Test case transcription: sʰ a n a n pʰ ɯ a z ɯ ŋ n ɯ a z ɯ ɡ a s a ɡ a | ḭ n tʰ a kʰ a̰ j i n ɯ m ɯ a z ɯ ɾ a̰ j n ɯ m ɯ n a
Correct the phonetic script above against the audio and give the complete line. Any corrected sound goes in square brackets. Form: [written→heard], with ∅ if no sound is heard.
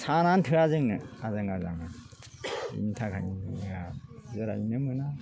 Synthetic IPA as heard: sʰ a n a n [pʰ→tʰ] ɯ a z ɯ ŋ n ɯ a z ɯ [ɡ→ŋ] a [s→z] a [ɡ→ŋ] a | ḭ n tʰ a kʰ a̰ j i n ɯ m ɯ a z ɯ ɾ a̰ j n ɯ m ɯ n a